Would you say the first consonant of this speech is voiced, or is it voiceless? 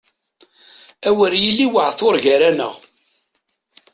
voiced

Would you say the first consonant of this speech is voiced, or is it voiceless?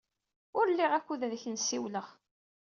voiced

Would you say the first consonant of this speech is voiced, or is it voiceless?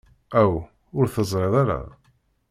voiced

